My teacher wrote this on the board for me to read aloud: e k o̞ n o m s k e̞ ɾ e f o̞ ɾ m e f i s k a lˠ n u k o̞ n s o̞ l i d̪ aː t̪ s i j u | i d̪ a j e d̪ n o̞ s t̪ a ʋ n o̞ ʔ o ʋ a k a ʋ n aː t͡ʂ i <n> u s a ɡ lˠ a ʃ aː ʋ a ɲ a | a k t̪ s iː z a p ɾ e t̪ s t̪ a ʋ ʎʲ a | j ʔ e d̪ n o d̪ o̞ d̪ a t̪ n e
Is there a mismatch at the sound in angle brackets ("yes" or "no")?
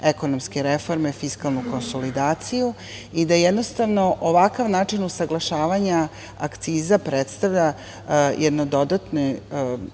no